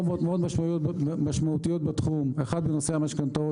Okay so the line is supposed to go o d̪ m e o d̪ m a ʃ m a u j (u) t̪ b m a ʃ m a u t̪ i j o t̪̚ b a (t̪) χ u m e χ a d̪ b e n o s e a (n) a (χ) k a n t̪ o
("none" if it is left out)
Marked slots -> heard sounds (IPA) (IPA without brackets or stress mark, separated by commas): o, t̪, m, ʃ